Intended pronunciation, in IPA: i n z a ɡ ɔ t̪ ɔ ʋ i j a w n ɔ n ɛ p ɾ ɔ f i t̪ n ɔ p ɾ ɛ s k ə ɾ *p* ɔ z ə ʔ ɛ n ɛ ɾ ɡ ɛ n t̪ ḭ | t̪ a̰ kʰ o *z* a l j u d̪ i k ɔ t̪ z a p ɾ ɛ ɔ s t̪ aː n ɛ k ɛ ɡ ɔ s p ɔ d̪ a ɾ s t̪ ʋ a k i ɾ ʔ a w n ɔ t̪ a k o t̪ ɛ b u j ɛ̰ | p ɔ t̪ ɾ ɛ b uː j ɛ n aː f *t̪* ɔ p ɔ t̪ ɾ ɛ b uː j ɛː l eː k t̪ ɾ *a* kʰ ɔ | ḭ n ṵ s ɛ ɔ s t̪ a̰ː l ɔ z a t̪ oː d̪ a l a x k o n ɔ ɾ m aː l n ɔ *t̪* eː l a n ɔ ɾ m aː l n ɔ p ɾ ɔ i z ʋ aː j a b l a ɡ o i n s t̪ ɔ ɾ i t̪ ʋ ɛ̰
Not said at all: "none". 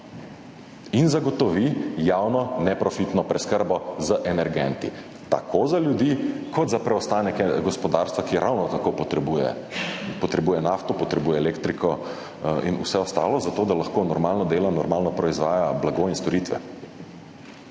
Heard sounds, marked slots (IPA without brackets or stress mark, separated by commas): b, z, t̪, i, d̪